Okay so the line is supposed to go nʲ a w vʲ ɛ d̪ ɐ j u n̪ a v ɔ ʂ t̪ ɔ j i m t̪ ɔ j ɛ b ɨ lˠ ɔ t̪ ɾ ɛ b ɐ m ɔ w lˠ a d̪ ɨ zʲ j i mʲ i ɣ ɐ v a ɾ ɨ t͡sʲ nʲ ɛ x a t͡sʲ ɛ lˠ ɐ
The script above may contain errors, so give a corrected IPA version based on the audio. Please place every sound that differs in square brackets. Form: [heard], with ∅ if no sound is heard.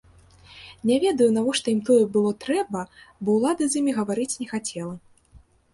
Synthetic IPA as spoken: nʲ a [∅] vʲ ɛ d̪ ɐ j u n̪ a v ɔ ʂ t̪ ɔ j i m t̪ ɔ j ɛ b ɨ lˠ ɔ t̪ ɾ ɛ b ɐ [b] ɔ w lˠ a d̪ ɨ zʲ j i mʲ i ɣ ɐ v a ɾ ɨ t͡sʲ nʲ ɛ x a t͡sʲ ɛ lˠ ɐ